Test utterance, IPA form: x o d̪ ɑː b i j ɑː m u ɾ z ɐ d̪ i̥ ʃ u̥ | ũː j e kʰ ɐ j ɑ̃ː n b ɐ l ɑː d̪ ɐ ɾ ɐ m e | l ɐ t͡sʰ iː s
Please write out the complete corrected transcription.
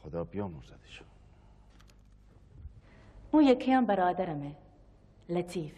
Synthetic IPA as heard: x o d̪ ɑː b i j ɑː m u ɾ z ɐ d̪ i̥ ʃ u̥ | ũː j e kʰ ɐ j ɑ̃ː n b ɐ ɾ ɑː d̪ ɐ ɾ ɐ m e | l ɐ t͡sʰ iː f